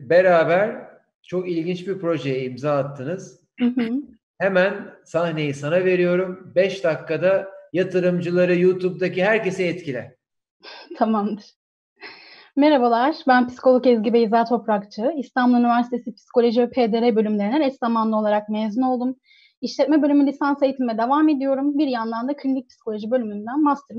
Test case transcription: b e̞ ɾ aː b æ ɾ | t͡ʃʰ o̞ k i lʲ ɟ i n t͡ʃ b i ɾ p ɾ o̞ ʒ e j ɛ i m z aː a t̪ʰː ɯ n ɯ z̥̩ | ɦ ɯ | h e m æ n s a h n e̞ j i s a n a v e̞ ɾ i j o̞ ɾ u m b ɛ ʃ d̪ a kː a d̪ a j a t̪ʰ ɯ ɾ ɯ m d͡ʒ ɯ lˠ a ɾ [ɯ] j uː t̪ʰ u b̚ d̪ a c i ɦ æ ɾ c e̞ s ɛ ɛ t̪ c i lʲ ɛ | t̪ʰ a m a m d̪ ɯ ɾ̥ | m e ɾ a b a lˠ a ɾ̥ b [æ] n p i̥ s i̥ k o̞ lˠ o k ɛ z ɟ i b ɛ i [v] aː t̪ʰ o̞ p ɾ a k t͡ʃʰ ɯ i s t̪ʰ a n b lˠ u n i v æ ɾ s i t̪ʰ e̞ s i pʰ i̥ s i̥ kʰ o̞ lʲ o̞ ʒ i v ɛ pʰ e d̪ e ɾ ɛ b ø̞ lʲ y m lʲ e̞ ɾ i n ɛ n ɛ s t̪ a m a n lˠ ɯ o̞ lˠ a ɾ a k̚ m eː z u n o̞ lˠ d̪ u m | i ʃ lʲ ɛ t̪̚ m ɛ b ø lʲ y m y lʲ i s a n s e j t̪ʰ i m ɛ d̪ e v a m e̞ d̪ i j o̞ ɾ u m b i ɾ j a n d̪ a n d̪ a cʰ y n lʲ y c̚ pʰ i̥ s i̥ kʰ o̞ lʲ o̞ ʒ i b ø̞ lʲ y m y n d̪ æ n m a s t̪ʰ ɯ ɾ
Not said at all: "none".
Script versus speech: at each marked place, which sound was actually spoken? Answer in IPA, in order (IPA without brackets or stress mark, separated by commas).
ɯ, æ, z